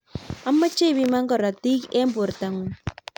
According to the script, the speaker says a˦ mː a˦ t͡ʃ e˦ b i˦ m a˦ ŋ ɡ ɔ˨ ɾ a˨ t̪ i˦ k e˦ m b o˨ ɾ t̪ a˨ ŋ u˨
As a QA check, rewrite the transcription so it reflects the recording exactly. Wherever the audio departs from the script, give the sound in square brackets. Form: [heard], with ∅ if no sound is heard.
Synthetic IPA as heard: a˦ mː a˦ t͡ʃ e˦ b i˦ m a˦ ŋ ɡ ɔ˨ ɾ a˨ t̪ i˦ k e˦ m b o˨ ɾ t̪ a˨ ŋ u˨